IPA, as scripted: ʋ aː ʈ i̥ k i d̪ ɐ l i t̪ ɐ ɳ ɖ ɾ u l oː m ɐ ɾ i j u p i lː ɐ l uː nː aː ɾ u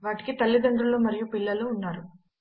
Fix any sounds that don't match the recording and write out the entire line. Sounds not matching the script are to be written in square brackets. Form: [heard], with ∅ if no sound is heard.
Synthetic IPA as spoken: ʋ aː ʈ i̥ k i [t̪] ɐ [lː] i [d̪] ɐ ɳ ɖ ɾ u l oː m ɐ ɾ i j u p i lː ɐ l uː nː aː ɾ u